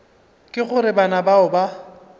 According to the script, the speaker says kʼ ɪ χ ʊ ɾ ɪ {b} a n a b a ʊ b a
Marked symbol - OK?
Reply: yes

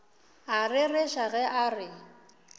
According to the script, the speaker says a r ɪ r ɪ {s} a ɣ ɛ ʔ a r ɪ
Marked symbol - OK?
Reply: no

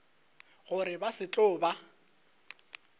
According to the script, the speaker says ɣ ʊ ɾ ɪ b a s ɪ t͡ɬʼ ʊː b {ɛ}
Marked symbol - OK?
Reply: no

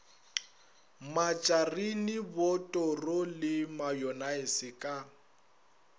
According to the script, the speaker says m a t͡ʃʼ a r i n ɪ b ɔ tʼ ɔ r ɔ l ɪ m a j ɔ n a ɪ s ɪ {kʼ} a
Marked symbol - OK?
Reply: yes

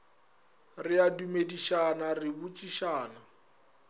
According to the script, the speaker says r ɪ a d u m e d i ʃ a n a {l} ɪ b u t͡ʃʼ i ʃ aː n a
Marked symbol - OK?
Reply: no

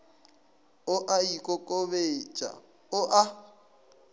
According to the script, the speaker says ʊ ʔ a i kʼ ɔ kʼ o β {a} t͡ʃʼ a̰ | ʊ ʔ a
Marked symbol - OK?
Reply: no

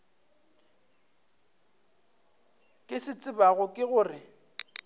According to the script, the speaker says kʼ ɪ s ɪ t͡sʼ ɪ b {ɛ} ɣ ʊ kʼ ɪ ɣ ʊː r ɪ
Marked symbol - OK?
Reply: no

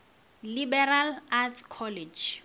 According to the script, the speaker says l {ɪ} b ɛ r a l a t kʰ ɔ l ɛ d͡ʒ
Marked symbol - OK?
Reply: no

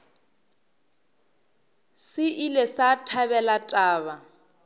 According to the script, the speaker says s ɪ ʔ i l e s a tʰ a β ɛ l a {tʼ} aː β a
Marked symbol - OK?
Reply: yes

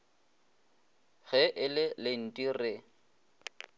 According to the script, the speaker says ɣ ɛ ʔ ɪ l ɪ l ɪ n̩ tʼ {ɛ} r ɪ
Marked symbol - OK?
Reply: no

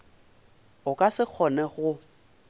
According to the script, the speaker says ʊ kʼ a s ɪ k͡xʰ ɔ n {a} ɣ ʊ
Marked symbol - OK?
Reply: no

